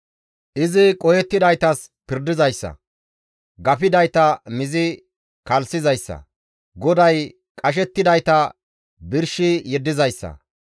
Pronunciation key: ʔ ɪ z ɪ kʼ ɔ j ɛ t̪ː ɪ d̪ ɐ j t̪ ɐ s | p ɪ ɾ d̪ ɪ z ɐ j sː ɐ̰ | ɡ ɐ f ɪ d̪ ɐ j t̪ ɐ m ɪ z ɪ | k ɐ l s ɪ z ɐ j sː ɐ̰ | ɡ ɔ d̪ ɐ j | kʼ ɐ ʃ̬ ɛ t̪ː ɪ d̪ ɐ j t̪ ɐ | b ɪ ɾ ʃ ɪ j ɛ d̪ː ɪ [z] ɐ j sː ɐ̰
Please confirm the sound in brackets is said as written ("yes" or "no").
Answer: yes